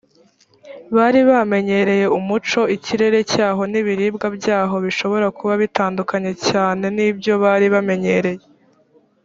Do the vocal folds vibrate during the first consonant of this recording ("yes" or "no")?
yes